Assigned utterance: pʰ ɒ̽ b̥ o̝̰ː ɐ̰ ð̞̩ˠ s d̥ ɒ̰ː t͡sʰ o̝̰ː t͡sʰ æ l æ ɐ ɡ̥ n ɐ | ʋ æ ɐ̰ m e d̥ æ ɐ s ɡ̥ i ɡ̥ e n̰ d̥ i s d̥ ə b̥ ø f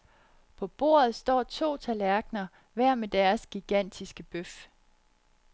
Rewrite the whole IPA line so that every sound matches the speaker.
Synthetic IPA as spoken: pʰ ɒ̽ b̥ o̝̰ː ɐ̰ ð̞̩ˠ s d̥ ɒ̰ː t͡sʰ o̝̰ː t͡sʰ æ l æ ɐ ɡ̥ n ɐ | ʋ æ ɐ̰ m e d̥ æ ɐ s ɡ̥ i ɡ̥ æ n̰ d̥ i s ɡ̥ ə b̥ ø f